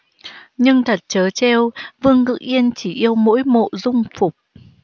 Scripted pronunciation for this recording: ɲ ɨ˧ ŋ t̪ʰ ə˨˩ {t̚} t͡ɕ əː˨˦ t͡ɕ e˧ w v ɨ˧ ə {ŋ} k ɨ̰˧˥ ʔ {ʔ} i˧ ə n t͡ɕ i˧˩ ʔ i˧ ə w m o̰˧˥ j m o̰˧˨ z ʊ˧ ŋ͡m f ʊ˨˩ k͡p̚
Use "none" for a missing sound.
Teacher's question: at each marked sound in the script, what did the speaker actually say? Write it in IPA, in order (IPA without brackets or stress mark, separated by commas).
t̚, ŋ, ʔ